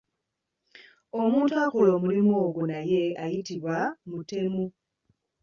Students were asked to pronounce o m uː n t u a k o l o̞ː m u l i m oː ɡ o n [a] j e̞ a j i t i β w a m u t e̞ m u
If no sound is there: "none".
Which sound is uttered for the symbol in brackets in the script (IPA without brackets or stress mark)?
a